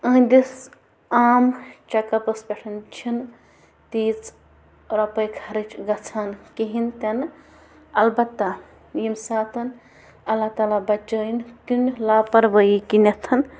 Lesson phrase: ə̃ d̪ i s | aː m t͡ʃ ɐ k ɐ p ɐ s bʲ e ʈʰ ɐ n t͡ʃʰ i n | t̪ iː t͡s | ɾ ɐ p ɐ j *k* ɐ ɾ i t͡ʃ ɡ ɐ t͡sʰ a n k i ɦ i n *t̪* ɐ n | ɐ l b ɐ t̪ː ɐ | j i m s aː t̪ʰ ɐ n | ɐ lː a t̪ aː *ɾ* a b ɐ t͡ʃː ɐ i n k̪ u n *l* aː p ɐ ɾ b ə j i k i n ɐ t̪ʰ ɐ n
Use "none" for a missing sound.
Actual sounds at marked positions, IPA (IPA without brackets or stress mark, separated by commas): kʰ, t̪, l, l